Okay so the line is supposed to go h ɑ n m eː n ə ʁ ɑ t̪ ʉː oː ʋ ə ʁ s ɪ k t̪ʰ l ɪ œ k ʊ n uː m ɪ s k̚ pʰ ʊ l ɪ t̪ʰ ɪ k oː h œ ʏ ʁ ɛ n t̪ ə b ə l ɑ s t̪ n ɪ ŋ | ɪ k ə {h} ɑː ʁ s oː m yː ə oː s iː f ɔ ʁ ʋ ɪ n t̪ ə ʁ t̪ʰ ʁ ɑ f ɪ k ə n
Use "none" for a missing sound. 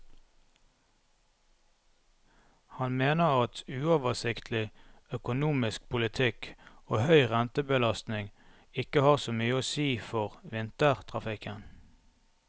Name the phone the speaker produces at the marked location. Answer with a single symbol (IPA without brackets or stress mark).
h